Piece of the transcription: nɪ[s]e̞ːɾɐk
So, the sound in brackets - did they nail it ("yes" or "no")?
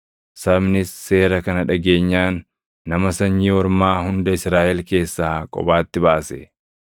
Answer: no